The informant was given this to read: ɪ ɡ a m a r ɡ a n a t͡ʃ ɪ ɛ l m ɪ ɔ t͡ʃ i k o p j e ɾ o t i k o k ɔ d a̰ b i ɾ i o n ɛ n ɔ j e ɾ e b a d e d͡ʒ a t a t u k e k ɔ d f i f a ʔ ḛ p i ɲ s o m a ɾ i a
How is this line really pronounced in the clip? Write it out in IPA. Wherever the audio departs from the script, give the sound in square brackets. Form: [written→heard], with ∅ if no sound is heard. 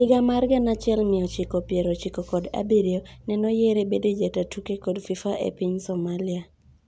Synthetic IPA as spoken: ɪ ɡ a m a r ɡ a n a t͡ʃ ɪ ɛ l m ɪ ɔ t͡ʃ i k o p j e ɾ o [t→t͡ʃ] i k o k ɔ d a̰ b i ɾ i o n ɛ n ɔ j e ɾ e b [a→e] d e d͡ʒ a t a t u k e k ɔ d f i f a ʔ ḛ p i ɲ s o m a [ɾ→l] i a